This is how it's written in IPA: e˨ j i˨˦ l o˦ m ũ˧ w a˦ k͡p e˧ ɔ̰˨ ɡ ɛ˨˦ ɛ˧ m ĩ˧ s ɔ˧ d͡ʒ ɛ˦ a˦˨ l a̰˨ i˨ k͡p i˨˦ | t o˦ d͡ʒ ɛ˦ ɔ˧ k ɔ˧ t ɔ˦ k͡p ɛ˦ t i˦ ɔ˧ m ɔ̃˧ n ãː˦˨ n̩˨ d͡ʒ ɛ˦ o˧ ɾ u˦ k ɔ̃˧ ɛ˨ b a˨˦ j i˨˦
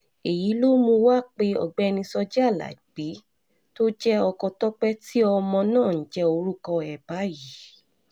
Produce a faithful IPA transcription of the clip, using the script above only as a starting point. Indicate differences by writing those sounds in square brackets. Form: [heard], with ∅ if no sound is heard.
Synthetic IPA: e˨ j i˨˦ l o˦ m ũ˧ w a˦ k͡p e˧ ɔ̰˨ [ɡ͡b] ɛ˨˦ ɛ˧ [n] ĩ˧ s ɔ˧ d͡ʒ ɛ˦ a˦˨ l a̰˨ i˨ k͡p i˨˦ | t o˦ d͡ʒ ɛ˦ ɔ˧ k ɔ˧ t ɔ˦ k͡p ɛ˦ t i˦ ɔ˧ m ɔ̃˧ n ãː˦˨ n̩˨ d͡ʒ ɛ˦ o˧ ɾ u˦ k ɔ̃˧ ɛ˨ b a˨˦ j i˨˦